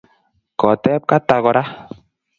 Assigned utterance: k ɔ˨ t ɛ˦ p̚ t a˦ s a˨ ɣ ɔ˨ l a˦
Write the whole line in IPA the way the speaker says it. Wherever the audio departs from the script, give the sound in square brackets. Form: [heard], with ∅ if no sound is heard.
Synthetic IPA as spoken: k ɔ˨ t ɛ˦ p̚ [k] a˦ [t] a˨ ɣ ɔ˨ [ɾ] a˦